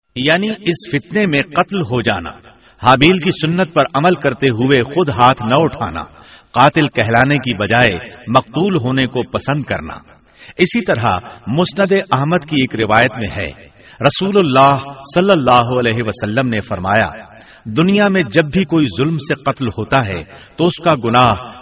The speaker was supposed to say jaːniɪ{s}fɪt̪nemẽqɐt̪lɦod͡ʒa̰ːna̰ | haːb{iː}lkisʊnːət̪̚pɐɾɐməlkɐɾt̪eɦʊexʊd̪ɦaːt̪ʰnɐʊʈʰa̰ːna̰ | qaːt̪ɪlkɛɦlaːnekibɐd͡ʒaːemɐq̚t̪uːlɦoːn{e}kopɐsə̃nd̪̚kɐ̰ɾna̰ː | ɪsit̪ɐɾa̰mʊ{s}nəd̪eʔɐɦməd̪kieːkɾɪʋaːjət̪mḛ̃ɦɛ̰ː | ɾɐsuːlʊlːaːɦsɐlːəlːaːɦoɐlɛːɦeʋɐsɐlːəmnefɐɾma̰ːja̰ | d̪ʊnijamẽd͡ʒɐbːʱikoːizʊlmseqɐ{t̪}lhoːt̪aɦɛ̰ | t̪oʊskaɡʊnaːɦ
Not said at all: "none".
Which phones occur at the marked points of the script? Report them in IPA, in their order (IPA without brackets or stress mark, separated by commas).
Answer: s, iː, e, s, t̪